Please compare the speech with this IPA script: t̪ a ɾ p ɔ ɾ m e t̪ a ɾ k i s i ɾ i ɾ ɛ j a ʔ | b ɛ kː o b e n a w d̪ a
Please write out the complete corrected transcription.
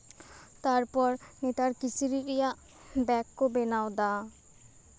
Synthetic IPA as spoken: t̪ a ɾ p ɔ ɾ n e t̪ a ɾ k i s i ɾ i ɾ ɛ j a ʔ | b ɛ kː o b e n a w d̪ a